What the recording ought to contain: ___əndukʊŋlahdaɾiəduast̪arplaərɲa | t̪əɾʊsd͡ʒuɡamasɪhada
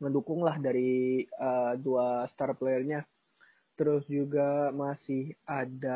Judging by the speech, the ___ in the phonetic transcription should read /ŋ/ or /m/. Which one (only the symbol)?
ŋ